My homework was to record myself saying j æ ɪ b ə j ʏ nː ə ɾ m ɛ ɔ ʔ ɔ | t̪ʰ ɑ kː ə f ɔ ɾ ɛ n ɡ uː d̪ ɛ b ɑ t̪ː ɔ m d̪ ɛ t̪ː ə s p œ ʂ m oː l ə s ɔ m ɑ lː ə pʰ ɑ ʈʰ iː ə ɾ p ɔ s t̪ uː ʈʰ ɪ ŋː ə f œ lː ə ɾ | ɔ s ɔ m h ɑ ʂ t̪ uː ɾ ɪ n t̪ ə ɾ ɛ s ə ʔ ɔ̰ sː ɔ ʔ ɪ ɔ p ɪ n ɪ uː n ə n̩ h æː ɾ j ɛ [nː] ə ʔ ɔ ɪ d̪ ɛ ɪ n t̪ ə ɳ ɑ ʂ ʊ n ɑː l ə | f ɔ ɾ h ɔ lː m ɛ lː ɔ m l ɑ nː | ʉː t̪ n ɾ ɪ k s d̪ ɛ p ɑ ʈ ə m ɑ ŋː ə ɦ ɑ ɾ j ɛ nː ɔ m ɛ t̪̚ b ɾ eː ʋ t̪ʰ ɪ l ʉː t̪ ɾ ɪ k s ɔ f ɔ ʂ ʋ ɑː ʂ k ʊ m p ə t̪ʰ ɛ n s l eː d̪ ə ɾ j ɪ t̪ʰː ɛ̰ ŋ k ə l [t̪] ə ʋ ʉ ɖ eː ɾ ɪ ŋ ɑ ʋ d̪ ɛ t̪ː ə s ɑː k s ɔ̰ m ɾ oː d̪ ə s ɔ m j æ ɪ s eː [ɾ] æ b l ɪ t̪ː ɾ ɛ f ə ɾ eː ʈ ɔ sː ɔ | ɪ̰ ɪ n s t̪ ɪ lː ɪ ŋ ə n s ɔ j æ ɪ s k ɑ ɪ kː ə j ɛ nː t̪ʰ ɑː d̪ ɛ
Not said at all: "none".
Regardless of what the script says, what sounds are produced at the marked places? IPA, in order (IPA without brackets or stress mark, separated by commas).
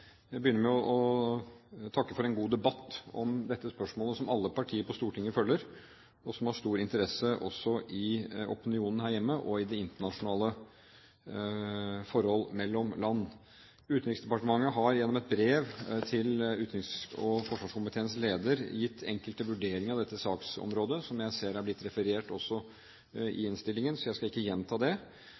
mː, t̪, ɾ